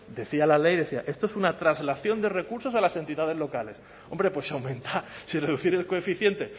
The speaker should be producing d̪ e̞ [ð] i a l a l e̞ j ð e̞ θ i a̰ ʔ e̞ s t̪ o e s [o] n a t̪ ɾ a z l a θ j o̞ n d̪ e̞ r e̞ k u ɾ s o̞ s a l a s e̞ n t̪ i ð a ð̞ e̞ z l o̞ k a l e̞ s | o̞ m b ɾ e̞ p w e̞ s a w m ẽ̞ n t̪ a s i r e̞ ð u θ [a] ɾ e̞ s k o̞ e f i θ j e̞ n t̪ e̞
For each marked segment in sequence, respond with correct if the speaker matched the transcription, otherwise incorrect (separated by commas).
incorrect, incorrect, incorrect